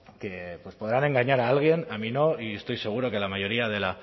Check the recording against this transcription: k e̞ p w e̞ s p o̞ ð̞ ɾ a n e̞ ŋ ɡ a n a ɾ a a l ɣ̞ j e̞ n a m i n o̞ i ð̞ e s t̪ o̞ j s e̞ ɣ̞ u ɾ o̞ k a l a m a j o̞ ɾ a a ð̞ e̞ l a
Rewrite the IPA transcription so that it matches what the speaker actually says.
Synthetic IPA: k e̞ p w e̞ s p o̞ ð̞ ɾ a n e̞ ŋ ɡ a ɲ a ɾ a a l ɣ̞ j e̞ n a m i n o̞ i e s t̪ o̞ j s e̞ ɣ̞ u ɾ o̞ k e l a m a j o̞ ɾ i a ð̞ e̞ l a